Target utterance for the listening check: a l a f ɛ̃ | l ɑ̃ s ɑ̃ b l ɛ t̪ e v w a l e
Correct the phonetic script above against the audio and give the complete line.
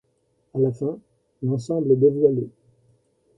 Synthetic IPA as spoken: a l a f ɛ̃ | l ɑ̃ s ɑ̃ b l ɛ d̪ e v w a l e